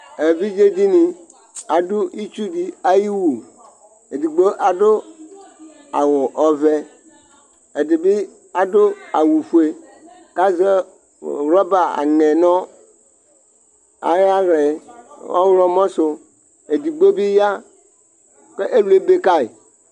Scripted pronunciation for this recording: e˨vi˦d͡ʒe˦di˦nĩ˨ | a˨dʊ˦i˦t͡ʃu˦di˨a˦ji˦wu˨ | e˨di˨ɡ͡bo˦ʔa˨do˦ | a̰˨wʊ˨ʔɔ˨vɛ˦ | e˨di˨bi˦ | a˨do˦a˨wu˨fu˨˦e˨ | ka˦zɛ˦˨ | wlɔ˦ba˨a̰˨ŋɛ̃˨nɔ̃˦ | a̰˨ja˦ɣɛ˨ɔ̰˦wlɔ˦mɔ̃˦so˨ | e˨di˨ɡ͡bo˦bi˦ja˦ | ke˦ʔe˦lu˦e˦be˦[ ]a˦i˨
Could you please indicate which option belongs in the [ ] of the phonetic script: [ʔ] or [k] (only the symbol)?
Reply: k